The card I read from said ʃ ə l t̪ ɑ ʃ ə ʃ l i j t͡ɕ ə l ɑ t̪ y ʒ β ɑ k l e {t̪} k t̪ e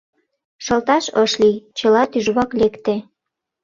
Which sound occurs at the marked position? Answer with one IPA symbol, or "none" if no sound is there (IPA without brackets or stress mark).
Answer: none